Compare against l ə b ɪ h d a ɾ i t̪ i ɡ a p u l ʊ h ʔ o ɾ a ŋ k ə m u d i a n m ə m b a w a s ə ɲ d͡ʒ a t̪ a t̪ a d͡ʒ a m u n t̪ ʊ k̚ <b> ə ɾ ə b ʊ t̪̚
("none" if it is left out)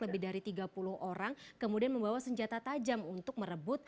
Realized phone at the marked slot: m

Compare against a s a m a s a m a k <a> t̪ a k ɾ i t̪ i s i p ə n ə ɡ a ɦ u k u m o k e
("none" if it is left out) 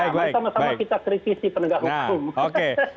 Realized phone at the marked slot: i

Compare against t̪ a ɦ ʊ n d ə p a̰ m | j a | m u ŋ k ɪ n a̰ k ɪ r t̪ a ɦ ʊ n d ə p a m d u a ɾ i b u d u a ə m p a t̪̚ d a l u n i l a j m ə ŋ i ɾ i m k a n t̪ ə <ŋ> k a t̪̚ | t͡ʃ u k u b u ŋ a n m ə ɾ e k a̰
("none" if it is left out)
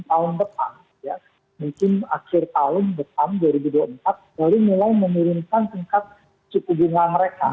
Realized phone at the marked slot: ŋ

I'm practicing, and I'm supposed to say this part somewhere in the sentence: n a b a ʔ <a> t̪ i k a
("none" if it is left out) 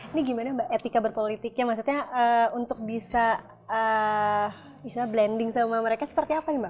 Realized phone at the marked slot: e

